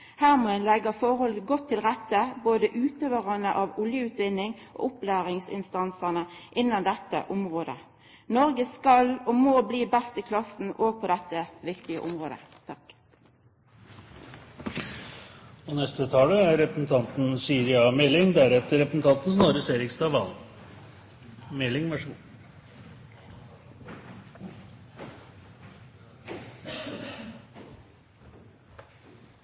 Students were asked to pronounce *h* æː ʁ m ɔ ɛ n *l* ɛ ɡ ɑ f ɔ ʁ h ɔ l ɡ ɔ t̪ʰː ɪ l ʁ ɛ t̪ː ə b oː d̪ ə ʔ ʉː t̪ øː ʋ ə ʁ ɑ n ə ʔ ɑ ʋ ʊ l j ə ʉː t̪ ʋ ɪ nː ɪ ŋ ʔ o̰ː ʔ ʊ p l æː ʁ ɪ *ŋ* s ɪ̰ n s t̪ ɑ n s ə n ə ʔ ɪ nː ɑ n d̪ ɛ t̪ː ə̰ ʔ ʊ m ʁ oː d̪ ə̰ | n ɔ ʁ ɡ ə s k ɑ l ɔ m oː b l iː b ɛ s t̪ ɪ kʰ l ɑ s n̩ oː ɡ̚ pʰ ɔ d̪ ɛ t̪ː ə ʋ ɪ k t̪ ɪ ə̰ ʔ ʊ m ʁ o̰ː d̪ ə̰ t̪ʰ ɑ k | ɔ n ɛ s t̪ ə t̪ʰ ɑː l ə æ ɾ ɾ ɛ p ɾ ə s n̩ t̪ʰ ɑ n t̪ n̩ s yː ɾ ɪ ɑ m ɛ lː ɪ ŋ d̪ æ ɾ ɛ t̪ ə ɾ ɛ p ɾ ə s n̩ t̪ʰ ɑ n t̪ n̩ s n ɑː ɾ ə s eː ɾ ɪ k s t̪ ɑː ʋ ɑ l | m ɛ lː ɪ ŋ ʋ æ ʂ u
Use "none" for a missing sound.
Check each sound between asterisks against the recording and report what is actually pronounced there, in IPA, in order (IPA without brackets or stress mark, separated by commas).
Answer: h, l, ŋ